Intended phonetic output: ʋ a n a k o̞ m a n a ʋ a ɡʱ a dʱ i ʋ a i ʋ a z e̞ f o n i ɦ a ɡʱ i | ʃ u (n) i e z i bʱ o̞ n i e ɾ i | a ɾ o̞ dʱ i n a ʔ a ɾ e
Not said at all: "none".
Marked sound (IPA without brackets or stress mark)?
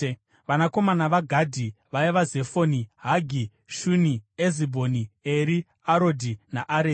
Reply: n